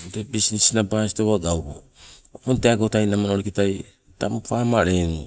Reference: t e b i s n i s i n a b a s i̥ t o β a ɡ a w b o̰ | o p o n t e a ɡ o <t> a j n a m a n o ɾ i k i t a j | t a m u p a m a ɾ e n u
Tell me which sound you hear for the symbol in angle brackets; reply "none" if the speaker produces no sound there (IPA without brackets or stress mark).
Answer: t